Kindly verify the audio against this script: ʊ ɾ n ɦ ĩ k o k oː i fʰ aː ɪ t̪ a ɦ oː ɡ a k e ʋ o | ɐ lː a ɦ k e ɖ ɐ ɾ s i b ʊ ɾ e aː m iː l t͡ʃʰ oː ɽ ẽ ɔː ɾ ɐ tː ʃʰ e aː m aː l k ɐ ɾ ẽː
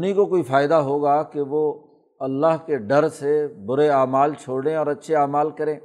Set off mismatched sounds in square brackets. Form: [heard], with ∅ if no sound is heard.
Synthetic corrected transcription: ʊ [∅] n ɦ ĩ k o k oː i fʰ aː ɪ [d̪] a ɦ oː ɡ a k e ʋ o | ɐ lː a ɦ k e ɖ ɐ ɾ s [e] b ʊ ɾ e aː m [aː] l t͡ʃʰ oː ɽ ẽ ɔː ɾ ɐ tː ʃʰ e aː m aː l k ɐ ɾ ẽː